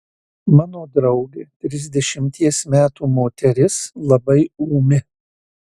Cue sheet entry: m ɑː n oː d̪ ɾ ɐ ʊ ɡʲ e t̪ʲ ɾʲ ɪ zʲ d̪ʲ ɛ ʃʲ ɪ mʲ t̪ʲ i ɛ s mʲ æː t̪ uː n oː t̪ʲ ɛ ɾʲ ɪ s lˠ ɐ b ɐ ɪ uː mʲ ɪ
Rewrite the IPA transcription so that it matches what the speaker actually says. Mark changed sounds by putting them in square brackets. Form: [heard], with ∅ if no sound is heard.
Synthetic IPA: m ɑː n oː d̪ ɾ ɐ ʊ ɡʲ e t̪ʲ ɾʲ ɪ zʲ d̪ʲ ɛ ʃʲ ɪ mʲ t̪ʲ i ɛ s mʲ æː t̪ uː [m] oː t̪ʲ ɛ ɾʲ ɪ s lˠ ɐ b ɐ ɪ uː mʲ ɪ